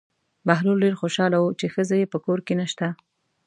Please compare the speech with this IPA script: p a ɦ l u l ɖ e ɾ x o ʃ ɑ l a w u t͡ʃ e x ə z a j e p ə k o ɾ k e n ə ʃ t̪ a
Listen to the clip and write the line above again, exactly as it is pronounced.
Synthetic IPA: b a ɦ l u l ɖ e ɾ x o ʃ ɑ l a w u t͡ʃ e x ə z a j e p ə k o ɾ k e n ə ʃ t̪ a